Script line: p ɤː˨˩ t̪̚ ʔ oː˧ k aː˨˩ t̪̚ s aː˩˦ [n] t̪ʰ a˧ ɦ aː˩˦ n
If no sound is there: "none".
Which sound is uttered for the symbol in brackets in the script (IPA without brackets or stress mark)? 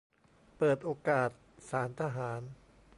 n